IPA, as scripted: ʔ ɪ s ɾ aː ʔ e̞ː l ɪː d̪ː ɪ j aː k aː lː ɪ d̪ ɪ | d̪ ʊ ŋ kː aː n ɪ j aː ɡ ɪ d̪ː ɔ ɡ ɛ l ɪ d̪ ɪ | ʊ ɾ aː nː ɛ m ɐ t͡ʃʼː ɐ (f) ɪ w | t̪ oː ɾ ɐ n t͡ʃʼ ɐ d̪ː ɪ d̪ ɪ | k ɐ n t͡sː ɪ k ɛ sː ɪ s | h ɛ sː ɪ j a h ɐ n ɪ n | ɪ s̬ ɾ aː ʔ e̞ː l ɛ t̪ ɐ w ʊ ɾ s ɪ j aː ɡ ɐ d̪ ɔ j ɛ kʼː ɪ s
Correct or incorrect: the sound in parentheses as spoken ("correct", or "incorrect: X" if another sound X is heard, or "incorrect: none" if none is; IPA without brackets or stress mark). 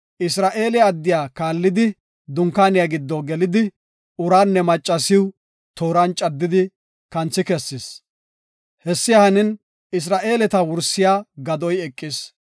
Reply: incorrect: s